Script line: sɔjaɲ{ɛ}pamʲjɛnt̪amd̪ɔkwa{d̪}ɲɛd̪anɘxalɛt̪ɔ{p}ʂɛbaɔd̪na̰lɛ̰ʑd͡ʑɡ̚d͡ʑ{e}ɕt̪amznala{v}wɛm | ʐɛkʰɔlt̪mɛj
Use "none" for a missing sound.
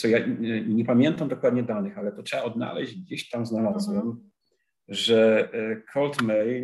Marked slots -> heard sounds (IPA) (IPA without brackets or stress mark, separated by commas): ɛ, d̪, t, e, z